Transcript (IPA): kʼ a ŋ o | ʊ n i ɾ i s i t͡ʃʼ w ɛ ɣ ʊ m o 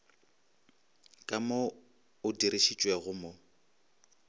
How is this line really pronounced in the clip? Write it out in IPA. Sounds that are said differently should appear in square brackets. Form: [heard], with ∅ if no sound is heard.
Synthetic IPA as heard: kʼ a [m] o | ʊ [d] i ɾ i [ʃ] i t͡ʃʼ w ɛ ɣ ʊ m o